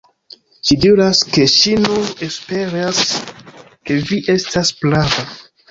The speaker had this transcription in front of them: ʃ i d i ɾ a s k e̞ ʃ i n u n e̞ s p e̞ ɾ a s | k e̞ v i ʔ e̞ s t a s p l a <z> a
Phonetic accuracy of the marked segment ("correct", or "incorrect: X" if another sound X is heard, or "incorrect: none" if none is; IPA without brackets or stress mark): incorrect: v